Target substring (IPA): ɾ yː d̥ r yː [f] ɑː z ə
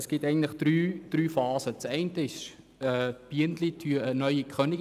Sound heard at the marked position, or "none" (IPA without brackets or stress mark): f